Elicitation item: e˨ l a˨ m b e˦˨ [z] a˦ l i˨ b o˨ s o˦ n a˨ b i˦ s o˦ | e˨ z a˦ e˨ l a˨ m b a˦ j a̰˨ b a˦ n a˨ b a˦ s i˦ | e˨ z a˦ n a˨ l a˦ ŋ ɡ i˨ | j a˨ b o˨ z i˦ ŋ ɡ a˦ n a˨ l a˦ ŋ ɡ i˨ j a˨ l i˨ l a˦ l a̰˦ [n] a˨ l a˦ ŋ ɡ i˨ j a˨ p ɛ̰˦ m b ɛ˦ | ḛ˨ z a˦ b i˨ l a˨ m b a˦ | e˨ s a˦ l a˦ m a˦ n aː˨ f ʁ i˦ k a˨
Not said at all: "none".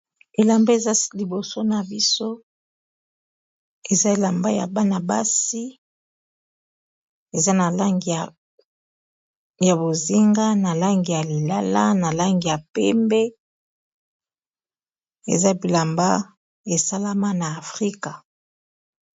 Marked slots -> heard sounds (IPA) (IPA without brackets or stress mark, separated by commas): z, n